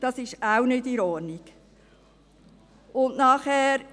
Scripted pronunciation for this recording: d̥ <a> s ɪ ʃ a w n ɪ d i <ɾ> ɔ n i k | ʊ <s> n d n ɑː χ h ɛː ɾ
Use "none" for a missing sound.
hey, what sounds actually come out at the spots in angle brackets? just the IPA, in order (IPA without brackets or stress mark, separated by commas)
ɑ, ɾ, none